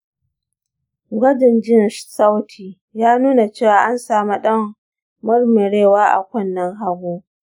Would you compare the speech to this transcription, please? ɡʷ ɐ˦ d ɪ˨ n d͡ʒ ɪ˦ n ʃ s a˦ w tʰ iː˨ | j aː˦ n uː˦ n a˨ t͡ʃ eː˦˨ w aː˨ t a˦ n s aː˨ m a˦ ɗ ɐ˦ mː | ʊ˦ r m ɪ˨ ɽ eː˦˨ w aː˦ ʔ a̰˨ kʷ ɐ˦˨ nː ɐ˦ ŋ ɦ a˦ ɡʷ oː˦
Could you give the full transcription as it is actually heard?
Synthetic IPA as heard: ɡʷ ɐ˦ d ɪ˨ n d͡ʒ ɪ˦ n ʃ s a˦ w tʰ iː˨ | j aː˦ n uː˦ n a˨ t͡ʃ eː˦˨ w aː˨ ʔ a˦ n s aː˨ m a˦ ɗ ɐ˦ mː | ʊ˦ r m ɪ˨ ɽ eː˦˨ w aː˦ ʔ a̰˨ kʷ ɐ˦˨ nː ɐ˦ ŋ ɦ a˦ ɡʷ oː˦